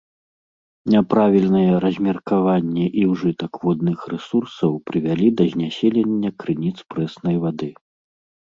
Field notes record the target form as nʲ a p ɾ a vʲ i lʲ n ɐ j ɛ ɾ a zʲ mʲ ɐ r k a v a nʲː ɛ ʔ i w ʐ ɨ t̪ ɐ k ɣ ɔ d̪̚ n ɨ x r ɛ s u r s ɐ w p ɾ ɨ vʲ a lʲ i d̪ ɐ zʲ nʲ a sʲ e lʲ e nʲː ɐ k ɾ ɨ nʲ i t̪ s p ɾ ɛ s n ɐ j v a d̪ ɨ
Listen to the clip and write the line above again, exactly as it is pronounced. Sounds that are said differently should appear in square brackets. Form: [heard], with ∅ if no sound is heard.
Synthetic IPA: nʲ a p ɾ a vʲ i lʲ n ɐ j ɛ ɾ [ɐ] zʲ mʲ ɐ r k a v a nʲː ɛ ʔ i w ʐ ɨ t̪ ɐ k [v] ɔ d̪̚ n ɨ x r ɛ s u r s ɐ w p ɾ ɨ vʲ a lʲ i d̪ ɐ zʲ nʲ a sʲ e lʲ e nʲː ɐ k ɾ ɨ nʲ i t̪ s p ɾ ɛ s n ɐ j v a d̪ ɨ